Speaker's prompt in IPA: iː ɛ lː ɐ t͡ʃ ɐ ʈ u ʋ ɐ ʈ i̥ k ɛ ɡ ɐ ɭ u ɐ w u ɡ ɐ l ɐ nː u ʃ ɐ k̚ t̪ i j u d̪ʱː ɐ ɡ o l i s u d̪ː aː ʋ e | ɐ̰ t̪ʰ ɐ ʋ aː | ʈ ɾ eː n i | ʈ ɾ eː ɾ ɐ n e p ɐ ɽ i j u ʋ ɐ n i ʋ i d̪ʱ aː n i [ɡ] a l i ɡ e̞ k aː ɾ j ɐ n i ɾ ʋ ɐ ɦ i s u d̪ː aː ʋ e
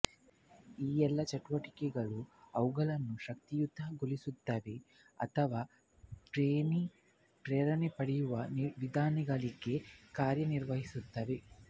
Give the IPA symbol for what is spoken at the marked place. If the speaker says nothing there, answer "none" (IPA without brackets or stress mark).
ɡ